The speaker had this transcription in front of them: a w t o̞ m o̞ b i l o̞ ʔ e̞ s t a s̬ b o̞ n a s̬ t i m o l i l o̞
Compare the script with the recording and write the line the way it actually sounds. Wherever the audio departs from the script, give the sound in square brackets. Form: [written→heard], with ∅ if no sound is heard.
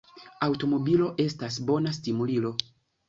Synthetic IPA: a w t o̞ m o̞ b i l o̞ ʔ e̞ s t a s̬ b o̞ n a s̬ t i m [o→u] l i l o̞